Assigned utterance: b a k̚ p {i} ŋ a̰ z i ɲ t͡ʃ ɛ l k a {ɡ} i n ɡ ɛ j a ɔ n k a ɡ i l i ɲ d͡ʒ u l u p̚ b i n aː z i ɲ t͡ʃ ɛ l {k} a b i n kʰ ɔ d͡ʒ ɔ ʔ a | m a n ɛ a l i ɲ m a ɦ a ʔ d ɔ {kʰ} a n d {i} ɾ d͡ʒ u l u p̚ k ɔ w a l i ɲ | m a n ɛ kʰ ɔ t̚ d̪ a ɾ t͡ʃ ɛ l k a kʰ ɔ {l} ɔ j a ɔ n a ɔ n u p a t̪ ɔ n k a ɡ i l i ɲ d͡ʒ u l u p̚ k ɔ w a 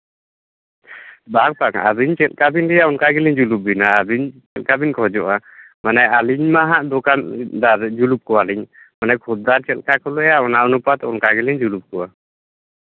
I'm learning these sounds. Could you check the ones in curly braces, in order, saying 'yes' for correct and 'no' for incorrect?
no, no, yes, no, no, yes

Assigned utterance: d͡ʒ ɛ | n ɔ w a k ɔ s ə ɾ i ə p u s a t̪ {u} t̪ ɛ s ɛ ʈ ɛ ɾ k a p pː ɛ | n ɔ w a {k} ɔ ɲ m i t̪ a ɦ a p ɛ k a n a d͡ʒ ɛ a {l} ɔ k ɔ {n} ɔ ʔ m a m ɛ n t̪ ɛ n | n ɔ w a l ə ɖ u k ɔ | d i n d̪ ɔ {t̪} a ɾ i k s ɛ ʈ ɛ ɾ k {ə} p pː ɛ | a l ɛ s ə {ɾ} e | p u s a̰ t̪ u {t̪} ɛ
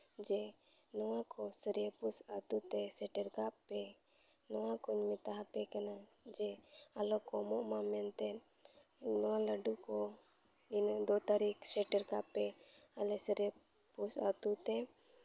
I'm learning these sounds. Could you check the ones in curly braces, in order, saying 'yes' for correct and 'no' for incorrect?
yes, yes, yes, no, yes, no, yes, yes

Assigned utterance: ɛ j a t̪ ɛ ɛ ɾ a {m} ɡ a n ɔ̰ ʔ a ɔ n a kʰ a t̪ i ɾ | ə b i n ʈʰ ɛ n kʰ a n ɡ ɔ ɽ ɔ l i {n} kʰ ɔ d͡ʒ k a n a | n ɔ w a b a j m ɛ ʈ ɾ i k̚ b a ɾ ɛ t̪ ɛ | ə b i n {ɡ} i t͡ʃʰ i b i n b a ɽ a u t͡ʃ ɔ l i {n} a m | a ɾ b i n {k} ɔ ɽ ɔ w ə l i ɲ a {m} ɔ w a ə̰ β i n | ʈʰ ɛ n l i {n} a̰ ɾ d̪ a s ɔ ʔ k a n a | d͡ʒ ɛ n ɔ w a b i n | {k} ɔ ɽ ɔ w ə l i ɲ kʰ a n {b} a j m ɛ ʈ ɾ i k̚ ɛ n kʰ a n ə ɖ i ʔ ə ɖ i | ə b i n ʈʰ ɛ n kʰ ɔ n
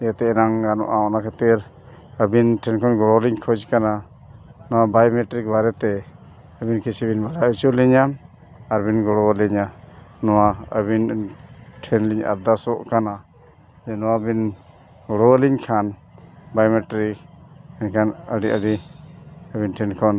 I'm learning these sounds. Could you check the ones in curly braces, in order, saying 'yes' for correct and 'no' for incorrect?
no, no, no, no, no, no, no, no, yes

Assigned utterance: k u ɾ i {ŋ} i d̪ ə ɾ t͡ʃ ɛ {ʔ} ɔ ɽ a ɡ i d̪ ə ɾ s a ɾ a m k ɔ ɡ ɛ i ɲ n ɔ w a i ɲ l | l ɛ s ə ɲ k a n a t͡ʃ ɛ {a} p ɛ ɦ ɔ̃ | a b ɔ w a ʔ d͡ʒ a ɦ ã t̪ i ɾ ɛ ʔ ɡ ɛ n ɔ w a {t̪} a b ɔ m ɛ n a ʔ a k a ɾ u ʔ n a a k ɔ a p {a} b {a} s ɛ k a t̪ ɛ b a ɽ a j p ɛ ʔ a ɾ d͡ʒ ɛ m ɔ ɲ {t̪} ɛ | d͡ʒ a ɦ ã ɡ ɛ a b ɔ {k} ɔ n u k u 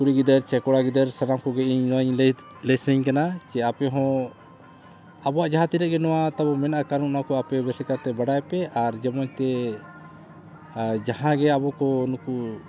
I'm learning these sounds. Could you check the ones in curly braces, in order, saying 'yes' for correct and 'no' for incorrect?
no, no, yes, yes, no, no, yes, yes

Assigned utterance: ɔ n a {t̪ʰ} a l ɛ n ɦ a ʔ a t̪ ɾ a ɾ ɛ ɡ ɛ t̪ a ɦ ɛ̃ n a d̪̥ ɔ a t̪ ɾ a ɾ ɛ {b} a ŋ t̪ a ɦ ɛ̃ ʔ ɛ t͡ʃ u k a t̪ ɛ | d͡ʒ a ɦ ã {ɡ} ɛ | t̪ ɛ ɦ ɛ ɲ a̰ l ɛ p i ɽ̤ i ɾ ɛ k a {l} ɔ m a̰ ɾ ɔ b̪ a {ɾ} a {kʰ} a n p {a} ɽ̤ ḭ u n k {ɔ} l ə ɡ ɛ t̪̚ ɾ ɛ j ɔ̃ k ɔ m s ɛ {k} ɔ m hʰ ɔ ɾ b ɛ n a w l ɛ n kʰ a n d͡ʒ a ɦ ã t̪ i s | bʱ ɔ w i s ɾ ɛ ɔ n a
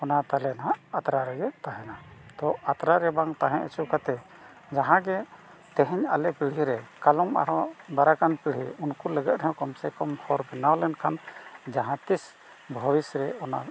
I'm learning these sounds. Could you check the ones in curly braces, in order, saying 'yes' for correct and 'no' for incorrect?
no, yes, yes, yes, yes, no, no, no, yes

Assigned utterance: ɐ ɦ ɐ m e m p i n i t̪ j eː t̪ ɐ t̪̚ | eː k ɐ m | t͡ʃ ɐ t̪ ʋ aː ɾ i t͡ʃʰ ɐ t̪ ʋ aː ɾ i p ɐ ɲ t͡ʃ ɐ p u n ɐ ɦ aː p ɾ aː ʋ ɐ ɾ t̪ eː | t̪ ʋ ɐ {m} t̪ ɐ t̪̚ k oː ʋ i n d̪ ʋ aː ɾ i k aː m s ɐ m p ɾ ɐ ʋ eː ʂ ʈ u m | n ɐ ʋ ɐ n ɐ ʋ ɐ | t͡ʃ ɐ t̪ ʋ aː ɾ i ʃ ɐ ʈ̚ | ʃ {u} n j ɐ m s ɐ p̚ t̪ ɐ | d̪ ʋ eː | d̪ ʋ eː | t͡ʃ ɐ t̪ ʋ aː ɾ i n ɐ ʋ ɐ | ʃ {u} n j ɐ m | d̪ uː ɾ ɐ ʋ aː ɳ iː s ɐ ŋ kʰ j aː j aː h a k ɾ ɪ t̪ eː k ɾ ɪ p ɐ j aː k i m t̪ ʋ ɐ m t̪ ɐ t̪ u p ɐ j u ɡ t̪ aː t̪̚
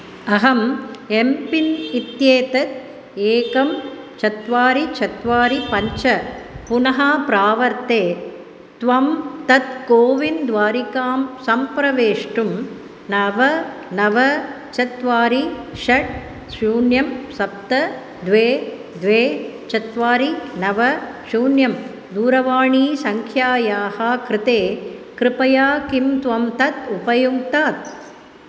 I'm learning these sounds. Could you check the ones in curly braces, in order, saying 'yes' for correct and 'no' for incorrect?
yes, no, no

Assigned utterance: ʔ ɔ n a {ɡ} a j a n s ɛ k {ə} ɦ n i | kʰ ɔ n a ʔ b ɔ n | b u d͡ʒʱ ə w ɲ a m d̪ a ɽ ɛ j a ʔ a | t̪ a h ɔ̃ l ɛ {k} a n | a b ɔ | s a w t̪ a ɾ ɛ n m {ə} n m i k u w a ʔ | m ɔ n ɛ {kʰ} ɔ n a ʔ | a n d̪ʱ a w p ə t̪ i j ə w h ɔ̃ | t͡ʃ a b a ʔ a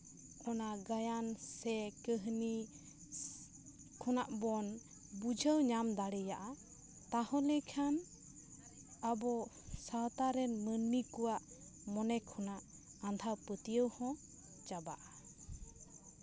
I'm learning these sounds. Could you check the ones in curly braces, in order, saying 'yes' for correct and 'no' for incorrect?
yes, yes, no, yes, yes

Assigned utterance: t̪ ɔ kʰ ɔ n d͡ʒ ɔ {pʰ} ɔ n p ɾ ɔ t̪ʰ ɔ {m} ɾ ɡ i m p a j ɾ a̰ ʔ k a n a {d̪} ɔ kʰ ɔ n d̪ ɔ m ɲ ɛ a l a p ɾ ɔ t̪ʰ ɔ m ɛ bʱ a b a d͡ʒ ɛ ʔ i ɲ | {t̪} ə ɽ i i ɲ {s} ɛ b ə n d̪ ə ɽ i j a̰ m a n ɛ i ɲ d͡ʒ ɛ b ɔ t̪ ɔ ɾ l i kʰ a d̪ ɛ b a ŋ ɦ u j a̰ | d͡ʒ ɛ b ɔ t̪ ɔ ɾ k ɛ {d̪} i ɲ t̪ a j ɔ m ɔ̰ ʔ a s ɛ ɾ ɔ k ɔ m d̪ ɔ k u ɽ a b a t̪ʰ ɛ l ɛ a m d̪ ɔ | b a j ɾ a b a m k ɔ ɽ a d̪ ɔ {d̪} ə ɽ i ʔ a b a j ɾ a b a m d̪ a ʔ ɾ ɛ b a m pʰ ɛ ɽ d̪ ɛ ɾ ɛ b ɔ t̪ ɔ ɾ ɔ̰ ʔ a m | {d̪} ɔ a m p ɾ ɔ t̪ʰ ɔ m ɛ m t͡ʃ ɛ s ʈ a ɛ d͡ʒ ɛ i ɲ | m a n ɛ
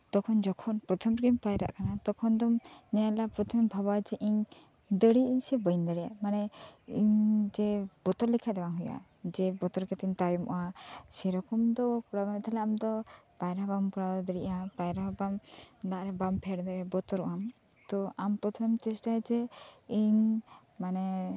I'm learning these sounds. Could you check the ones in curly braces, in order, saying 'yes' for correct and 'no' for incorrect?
no, yes, no, no, yes, no, yes, no

